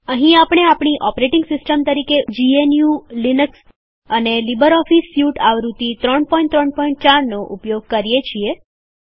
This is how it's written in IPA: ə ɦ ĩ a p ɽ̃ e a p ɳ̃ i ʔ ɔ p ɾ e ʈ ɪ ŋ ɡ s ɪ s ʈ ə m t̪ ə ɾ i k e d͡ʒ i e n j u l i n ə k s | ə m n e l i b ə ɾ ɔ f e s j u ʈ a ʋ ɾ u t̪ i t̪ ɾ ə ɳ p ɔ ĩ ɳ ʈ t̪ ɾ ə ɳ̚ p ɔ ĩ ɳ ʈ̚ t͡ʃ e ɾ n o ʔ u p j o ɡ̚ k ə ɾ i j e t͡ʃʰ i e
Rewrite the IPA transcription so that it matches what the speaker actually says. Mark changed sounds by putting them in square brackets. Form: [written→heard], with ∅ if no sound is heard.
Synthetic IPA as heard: ə ɦ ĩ a p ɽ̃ e a p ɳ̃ i ʔ ɔ p ɾ e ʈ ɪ ŋ ɡ s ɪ s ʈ ə m t̪ ə ɾ i k e d͡ʒ i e n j u l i n ə k s | ə [m→∅] n e l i b ə ɾ ɔ f [e→i] s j u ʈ a ʋ ɾ u t̪ i t̪ ɾ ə ɳ p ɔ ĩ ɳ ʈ t̪ ɾ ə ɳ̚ p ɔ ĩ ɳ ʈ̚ t͡ʃ [e→a] ɾ n o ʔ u p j o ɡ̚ k ə ɾ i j e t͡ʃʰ i e